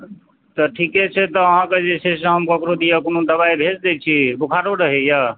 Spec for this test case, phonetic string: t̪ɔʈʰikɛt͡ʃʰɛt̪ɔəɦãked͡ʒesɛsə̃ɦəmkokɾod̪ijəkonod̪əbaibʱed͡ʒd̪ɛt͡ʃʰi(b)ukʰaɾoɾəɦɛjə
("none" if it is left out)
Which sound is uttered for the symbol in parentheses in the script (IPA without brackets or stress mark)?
b